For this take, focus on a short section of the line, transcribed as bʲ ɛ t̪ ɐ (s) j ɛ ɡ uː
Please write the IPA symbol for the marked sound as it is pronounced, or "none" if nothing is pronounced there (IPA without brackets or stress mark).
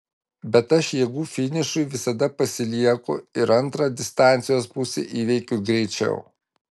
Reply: ʃ